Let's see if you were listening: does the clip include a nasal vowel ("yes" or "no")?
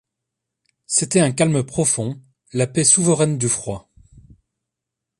yes